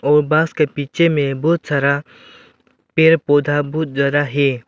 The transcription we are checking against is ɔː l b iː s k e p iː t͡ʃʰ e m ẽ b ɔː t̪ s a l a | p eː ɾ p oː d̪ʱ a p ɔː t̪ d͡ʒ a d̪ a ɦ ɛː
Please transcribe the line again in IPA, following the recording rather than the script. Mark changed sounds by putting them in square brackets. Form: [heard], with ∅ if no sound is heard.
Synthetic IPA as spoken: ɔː [ɾ] b [aː] s k e p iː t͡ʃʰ e m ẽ b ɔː t̪ s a [ɾ] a | p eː ɾ p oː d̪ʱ a [b] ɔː t̪ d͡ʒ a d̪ a ɦ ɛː